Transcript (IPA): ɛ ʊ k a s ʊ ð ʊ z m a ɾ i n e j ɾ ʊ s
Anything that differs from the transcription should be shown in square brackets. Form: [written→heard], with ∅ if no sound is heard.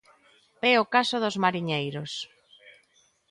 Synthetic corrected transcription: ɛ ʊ k a s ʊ ð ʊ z m a ɾ i [n→ɲ] e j ɾ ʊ s